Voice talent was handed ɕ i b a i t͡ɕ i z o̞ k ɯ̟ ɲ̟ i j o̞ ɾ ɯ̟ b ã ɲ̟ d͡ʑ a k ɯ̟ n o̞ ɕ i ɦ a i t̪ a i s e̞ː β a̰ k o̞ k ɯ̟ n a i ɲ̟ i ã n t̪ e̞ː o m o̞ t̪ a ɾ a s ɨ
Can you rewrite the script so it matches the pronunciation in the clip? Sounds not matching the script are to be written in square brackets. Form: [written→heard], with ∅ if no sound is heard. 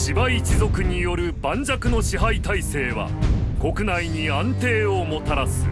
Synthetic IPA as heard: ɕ i b a i t͡ɕ i z o̞ k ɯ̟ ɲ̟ i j o̞ ɾ ɯ̟ b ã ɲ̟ d͡ʑ a k ɯ̟ n o̞ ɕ i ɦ a i t̪ a i s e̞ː β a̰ k o̞ k ɯ̟ n a i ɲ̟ i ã n t̪ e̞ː o m o̞ t̪ a ɾ a s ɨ